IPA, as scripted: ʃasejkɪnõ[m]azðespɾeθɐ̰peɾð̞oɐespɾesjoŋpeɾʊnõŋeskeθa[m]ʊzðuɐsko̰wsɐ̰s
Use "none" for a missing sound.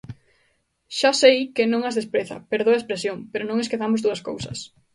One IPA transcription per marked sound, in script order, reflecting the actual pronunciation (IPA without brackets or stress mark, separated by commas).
ŋ, m